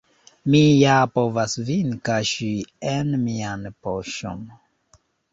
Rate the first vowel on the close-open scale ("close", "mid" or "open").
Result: close